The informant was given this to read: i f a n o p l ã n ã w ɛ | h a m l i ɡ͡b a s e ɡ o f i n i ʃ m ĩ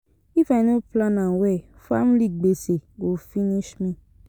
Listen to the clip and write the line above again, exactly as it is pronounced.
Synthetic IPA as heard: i f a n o p l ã n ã w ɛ | f a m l i ɡ͡b e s e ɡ o f i n i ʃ m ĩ